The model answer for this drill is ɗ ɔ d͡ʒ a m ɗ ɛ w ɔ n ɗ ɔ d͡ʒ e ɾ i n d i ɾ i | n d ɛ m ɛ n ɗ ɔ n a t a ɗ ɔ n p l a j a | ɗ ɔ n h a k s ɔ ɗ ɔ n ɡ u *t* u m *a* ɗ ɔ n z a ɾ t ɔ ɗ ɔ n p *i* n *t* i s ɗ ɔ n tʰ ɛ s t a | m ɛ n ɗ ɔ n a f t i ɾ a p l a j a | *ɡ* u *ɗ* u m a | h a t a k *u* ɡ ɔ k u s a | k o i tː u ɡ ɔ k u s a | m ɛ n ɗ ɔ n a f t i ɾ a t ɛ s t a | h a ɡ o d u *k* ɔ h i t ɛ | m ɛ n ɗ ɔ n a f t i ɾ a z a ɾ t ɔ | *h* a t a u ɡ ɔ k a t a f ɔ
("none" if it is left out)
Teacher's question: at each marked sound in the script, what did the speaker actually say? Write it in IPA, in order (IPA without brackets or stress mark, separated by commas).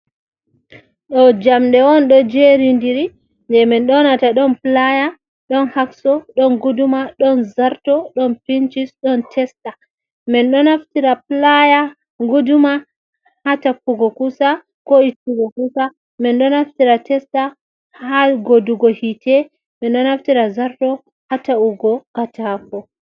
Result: d, a, i, t͡ʃ, ɡ, d, u, ɡ, h